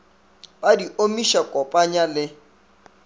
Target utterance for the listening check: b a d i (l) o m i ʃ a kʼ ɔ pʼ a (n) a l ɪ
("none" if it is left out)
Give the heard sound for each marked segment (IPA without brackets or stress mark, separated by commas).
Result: none, ɲ